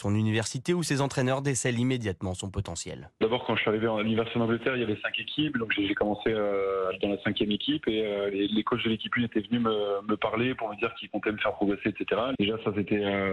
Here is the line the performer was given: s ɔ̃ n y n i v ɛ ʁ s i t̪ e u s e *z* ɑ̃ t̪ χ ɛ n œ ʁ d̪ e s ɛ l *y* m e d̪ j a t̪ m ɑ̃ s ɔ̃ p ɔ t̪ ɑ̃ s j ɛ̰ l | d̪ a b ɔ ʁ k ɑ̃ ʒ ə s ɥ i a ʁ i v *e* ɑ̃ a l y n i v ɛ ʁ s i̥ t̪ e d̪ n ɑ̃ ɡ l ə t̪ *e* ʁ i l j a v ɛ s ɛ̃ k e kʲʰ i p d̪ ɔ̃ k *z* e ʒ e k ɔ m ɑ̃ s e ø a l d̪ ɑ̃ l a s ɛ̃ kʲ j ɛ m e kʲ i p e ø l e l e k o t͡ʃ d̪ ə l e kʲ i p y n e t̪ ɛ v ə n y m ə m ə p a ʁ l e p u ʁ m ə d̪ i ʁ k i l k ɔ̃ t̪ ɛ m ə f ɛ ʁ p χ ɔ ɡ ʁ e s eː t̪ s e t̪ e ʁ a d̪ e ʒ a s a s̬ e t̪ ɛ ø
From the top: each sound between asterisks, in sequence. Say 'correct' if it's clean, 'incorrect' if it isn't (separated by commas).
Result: correct, incorrect, correct, incorrect, incorrect